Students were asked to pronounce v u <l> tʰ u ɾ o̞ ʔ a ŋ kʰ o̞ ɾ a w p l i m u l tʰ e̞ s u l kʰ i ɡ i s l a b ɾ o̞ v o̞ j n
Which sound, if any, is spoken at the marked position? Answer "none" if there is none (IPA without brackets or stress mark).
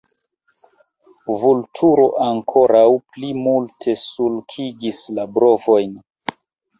l